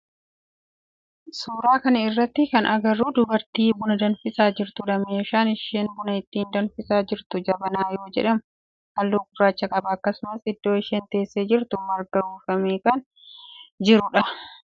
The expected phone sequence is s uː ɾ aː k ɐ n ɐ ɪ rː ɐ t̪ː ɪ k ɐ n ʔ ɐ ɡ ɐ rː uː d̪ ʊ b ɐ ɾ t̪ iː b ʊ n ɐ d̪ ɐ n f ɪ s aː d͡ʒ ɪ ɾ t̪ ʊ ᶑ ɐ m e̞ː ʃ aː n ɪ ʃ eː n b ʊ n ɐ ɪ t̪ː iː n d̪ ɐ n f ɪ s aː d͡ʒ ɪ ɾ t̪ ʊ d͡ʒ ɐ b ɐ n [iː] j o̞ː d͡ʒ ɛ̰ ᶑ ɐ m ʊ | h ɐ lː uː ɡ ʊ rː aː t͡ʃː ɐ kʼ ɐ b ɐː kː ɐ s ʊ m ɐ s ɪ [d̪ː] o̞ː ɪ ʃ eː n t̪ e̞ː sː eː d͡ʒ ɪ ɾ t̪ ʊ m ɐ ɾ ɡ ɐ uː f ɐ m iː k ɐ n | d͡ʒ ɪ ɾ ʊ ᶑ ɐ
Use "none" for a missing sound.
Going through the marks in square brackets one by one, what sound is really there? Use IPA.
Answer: aː, d̪ː

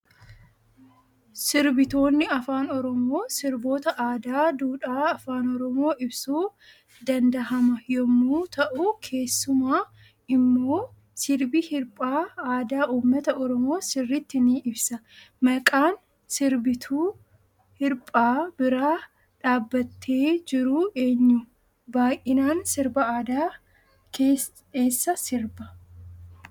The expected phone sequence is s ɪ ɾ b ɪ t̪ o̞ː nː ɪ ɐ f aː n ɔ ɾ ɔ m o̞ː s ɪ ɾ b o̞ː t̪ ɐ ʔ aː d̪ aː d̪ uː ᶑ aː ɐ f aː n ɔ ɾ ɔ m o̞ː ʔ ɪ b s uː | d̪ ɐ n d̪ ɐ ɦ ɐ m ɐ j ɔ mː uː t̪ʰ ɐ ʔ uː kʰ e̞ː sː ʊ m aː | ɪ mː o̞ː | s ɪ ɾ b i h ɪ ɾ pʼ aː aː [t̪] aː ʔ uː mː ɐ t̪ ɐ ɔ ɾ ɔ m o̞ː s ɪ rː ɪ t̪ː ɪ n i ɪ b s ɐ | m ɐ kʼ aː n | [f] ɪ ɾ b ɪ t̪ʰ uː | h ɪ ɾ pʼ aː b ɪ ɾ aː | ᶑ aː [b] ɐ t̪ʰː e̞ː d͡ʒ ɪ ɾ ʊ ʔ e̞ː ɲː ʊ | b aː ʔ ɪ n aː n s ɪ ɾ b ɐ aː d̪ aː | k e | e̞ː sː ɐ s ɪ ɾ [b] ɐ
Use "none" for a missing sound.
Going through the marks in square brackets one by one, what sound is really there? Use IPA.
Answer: d̪, s, bː, b

